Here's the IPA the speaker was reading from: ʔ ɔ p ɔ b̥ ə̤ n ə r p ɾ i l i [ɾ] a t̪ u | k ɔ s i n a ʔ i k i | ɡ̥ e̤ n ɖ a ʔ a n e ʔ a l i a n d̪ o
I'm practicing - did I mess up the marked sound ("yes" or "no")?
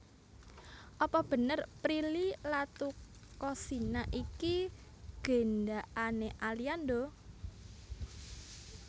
yes